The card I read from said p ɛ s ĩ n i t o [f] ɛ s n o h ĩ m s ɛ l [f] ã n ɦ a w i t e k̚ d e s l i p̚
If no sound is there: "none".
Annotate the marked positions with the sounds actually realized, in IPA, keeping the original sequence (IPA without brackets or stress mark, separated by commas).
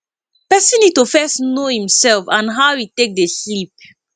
f, f